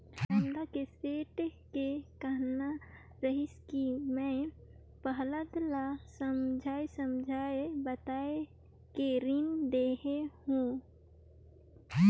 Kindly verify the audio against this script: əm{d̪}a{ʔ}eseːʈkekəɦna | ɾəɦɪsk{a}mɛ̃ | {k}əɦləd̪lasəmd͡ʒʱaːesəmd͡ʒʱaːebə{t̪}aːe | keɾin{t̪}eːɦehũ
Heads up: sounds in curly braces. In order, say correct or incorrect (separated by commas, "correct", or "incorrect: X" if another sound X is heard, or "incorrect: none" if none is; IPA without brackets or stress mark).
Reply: correct, incorrect: k, incorrect: i, incorrect: p, correct, incorrect: d̪